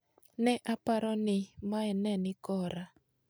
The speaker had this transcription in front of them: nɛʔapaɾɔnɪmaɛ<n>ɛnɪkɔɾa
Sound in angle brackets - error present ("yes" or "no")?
no